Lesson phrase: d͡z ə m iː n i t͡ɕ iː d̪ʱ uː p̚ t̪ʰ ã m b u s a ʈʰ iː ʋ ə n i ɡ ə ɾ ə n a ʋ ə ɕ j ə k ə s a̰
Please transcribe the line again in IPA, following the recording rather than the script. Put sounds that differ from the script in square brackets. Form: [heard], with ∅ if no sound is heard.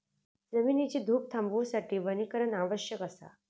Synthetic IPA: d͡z ə m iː n i t͡ɕ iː d̪ʱ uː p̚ t̪ʰ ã m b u s a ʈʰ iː ʋ ə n i [k] ə ɾ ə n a ʋ ə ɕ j ə k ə s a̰